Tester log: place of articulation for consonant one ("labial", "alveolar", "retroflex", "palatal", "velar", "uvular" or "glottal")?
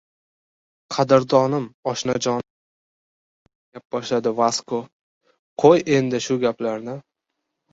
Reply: uvular